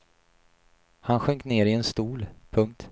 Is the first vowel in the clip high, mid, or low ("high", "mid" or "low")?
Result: low